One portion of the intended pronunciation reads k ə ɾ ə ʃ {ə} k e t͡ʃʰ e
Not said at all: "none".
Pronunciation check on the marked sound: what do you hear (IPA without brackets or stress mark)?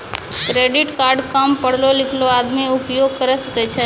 ə